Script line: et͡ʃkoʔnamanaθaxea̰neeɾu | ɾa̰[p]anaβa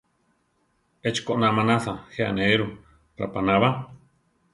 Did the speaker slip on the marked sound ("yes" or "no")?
no